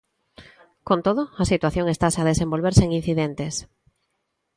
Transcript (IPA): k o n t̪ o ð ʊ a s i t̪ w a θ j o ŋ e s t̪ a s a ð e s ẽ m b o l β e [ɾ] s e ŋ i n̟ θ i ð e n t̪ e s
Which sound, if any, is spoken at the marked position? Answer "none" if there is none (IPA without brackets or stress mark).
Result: ɾ